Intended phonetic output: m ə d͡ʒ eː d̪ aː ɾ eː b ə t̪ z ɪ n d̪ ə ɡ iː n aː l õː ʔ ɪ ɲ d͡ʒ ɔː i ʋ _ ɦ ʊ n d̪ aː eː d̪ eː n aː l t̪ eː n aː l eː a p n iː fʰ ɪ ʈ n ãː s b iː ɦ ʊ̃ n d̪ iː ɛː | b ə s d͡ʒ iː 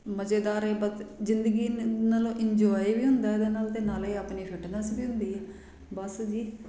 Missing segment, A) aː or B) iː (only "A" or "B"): B